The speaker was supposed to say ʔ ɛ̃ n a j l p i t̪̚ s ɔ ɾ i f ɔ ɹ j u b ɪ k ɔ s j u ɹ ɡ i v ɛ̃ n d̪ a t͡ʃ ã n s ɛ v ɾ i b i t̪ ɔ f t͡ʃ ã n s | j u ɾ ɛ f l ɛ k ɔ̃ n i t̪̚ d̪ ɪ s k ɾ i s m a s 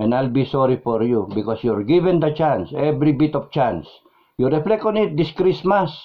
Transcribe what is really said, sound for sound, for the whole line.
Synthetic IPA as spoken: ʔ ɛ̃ n a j l b i s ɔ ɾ i f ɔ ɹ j u b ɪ k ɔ s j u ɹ ɡ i v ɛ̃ n d̪ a t͡ʃ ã n s ɛ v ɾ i b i t̪ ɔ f t͡ʃ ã n s | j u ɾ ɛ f l ɛ k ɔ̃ n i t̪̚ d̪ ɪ s k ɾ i s m a s